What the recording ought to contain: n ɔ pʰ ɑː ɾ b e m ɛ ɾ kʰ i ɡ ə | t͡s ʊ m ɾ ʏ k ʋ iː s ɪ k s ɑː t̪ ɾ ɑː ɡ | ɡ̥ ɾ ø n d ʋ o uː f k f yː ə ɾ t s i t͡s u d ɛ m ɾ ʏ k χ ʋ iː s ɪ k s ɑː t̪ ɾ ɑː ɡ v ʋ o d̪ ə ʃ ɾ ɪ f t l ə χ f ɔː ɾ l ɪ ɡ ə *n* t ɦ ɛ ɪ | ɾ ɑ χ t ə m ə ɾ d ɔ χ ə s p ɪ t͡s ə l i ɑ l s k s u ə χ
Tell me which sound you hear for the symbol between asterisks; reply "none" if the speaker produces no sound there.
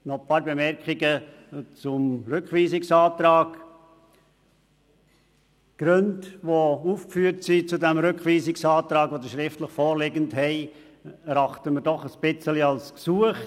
n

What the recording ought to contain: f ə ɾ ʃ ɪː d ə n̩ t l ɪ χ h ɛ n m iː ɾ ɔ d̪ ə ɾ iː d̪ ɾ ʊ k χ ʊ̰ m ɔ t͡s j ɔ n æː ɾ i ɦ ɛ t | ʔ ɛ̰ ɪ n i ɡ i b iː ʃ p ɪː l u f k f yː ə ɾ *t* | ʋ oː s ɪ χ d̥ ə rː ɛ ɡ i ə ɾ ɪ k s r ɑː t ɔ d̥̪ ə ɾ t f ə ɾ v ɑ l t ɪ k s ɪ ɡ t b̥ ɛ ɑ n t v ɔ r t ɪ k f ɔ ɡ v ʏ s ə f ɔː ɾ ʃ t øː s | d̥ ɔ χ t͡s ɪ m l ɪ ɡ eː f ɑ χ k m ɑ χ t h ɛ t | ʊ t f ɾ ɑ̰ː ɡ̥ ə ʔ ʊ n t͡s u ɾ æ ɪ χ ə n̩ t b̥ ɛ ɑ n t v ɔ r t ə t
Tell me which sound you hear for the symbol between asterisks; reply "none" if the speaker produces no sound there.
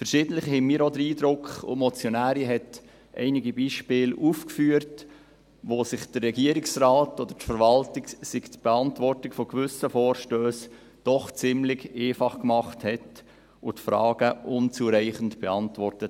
t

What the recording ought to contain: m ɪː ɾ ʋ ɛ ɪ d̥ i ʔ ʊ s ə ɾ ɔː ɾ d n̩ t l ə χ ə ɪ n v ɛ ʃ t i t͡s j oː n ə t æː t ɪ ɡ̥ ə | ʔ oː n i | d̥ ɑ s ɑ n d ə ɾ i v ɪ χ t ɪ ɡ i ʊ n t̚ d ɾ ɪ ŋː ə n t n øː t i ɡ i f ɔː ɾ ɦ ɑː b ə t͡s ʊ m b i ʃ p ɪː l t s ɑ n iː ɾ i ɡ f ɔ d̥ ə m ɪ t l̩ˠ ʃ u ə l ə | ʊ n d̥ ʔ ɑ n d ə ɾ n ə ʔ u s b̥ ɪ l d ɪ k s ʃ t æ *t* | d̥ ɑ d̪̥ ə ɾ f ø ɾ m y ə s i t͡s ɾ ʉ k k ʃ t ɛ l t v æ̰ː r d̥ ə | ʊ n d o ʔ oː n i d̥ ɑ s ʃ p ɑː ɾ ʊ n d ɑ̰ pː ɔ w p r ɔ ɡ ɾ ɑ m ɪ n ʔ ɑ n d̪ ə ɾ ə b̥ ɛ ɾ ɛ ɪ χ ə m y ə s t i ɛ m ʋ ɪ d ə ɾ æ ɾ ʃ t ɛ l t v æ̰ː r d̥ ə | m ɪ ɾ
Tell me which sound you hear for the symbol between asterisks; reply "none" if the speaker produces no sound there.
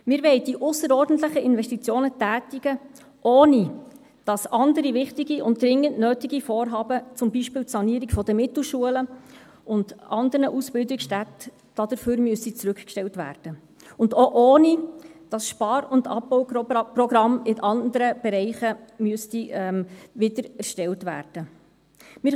t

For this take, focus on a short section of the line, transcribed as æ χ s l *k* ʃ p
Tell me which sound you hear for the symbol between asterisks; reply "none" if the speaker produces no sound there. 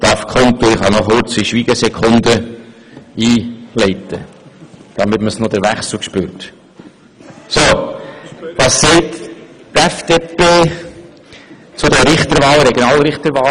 k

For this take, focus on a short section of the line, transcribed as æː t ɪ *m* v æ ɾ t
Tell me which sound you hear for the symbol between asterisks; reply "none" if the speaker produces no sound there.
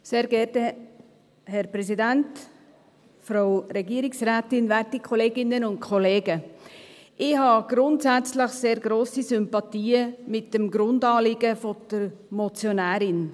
n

